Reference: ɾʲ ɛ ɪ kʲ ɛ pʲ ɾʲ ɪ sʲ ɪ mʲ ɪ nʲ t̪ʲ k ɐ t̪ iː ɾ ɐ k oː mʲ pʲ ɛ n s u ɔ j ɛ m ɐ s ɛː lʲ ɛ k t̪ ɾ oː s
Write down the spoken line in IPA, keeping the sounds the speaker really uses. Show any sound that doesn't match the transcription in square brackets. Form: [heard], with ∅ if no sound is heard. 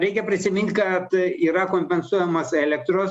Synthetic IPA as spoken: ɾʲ ɛ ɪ kʲ ɛ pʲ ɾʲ ɪ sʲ ɪ mʲ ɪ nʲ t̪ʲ k ɐ t̪ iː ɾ ɐ k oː mʲ pʲ ɛ n s u ɔ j ɛ m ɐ s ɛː lʲ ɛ k t̪ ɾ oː s